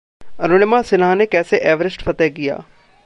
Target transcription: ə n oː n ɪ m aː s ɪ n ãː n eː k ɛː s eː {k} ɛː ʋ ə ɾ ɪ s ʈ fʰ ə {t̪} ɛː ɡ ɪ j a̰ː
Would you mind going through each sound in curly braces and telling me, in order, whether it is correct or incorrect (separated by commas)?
incorrect, correct